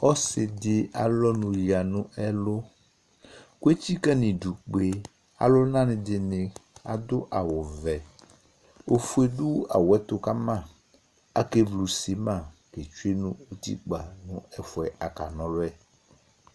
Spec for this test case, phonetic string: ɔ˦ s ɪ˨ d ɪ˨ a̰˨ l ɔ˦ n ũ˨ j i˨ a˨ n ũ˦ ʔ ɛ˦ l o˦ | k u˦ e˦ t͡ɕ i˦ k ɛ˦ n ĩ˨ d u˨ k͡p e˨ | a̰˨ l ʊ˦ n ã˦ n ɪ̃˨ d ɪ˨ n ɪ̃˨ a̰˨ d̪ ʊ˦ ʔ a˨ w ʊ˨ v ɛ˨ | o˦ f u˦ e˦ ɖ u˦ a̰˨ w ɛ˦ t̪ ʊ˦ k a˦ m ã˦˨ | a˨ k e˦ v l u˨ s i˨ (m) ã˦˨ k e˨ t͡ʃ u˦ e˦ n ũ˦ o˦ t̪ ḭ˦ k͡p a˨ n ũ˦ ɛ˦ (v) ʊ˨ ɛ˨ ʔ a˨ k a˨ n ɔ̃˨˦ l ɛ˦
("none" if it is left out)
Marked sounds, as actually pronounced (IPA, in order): m, f

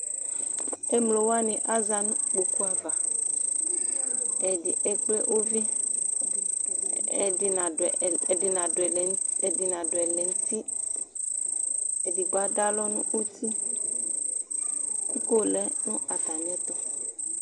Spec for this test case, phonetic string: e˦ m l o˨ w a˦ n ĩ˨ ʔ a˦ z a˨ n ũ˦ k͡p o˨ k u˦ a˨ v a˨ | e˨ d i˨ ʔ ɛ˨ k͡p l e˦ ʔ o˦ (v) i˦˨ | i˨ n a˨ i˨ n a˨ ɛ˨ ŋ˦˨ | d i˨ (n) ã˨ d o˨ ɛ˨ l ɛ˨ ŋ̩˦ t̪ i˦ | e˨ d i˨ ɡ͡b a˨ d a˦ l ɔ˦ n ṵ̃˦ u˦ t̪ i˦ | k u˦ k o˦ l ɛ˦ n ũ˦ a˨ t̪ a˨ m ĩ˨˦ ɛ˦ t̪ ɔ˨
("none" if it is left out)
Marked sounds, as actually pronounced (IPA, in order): v, n

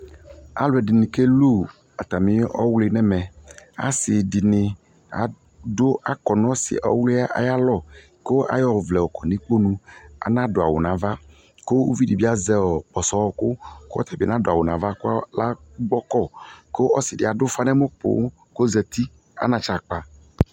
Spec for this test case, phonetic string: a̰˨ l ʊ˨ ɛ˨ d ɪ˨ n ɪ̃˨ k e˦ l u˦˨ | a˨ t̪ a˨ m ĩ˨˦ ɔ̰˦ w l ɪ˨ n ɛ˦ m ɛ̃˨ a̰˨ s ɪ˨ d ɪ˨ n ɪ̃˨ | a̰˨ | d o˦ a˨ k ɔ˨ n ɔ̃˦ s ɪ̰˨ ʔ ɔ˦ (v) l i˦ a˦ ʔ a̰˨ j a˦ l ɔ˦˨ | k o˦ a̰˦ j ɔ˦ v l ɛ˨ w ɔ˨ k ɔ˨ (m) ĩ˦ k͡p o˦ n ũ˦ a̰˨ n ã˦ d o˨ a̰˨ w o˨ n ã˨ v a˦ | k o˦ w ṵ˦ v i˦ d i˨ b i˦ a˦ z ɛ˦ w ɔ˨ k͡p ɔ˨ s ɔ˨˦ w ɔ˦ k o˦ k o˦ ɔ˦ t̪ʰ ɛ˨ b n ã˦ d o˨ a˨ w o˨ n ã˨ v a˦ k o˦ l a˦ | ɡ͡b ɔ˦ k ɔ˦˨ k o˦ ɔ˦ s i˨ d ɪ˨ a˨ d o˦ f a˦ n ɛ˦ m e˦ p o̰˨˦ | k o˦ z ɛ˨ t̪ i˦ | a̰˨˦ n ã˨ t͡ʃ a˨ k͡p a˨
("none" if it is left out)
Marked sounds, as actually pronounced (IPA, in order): w, n

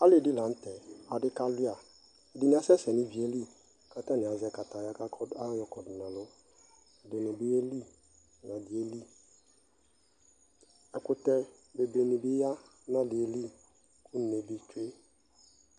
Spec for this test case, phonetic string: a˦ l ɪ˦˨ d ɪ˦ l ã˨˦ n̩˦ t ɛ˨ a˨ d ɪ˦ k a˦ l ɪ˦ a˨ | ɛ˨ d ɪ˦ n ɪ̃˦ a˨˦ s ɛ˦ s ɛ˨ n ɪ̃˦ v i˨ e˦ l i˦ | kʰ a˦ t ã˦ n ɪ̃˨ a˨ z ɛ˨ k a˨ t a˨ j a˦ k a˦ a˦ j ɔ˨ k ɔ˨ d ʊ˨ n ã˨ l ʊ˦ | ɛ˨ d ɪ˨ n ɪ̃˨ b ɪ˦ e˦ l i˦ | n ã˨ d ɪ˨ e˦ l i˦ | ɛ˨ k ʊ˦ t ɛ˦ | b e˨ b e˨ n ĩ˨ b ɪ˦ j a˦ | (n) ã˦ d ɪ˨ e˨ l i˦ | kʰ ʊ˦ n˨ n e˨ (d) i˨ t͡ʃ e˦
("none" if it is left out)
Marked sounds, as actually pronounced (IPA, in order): n, b

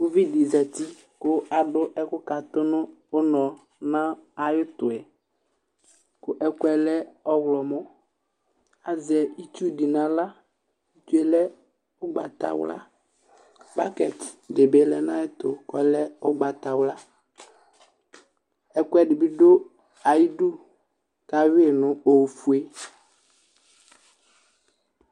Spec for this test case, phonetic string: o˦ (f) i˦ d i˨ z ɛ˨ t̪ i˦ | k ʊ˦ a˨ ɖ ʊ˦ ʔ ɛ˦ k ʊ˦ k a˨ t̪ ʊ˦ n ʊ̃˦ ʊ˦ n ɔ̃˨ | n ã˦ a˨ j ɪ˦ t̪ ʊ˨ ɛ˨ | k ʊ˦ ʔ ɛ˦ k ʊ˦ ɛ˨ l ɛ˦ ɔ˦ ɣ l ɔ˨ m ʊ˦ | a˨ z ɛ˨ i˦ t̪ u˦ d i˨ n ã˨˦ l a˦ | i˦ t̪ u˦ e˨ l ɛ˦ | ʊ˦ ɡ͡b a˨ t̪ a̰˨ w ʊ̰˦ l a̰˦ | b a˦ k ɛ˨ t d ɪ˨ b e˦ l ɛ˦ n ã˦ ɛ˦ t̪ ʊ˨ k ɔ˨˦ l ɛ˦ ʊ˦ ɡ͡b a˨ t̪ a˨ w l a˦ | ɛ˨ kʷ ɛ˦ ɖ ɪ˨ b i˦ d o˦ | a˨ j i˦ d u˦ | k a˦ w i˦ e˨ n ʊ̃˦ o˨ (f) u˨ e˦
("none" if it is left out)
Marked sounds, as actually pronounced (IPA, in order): v, f

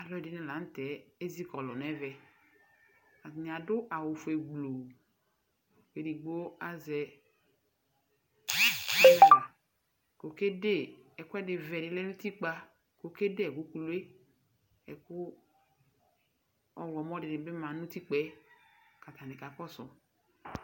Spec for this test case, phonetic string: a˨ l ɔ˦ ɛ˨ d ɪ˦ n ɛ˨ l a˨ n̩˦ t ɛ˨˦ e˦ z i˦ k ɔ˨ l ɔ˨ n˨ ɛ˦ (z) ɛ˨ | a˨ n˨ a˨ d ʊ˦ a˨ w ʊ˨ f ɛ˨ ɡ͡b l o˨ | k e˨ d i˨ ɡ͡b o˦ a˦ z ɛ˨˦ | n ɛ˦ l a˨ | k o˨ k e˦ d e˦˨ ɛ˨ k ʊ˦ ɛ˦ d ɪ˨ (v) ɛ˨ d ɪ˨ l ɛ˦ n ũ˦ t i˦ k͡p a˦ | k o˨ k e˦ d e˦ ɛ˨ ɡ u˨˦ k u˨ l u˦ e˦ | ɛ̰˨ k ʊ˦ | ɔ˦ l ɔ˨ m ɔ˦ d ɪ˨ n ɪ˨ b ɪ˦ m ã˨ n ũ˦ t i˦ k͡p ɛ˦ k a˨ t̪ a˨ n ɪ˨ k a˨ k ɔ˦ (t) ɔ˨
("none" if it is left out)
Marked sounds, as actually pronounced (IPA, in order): v, v, s

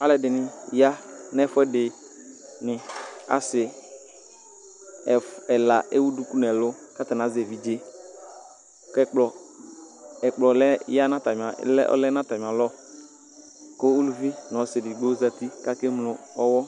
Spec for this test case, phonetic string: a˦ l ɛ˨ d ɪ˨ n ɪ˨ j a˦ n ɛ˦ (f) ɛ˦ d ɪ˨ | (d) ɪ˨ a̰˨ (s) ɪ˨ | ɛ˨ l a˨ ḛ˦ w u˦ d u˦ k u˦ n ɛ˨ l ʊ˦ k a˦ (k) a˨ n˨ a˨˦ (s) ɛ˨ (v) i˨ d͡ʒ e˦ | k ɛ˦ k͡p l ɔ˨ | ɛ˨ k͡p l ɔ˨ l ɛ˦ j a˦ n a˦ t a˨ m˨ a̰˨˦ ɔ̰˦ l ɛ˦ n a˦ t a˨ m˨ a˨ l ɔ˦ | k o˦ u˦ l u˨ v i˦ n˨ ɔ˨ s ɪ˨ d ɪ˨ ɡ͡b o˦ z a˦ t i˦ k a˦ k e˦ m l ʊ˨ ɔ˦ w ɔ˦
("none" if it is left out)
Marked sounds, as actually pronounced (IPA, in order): f, n, s, t, z, v

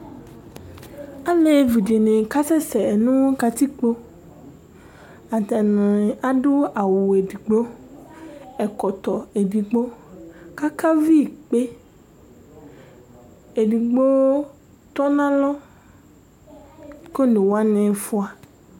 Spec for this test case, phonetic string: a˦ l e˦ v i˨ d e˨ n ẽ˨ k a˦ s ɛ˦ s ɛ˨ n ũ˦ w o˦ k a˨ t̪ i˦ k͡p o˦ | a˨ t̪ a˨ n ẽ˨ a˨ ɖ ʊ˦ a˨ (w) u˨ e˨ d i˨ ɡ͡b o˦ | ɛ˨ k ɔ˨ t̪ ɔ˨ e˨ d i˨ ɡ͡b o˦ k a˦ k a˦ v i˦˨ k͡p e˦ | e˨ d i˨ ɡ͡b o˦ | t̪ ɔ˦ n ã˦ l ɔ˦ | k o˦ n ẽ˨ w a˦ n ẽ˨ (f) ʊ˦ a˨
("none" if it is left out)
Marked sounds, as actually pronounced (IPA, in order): w, f

